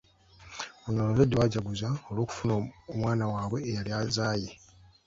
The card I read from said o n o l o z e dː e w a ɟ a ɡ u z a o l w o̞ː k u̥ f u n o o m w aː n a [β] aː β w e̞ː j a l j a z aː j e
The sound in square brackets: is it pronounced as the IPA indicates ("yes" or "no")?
no